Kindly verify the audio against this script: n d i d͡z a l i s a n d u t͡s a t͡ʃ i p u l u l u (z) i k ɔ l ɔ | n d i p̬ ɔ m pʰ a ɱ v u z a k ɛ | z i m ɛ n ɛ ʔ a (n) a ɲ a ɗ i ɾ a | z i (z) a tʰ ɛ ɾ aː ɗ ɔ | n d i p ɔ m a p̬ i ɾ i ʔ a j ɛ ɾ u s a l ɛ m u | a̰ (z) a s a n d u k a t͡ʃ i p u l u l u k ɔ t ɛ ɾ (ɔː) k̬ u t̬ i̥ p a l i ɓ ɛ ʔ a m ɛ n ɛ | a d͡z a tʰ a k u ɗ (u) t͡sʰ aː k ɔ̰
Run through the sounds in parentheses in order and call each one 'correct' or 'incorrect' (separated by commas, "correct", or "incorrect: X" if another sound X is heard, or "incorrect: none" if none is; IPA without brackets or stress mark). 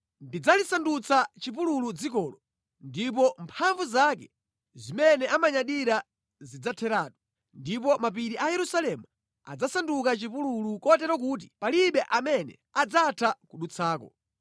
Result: incorrect: d͡z, incorrect: m, incorrect: d͡z, incorrect: d͡z, incorrect: ɔ, correct